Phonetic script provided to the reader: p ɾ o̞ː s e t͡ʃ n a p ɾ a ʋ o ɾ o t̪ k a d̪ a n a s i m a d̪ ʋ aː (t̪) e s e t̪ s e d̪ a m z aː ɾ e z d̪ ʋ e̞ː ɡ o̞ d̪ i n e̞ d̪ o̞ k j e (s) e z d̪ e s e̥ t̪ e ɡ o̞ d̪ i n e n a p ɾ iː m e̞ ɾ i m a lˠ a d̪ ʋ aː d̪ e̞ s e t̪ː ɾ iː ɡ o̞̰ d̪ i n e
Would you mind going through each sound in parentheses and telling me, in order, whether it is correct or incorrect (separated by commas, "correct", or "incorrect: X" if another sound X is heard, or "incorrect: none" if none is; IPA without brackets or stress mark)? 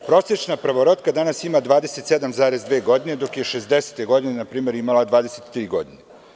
incorrect: d̪, incorrect: ʃ